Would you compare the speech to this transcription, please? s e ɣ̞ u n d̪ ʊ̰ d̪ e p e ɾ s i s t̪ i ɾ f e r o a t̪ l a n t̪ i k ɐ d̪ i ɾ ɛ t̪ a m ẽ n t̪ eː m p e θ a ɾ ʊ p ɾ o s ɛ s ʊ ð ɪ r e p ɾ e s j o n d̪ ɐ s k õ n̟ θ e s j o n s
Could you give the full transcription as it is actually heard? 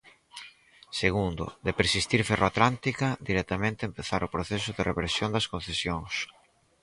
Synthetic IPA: s e ɣ̞ u n d̪ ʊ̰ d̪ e p e ɾ s i s t̪ i ɾ f e r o a t̪ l a n t̪ i k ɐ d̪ i ɾ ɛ t̪ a m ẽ n t̪ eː m p e θ a ɾ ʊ p ɾ o θ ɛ s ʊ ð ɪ r e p ɾ e s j o n d̪ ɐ s k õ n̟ θ e s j o ŋ s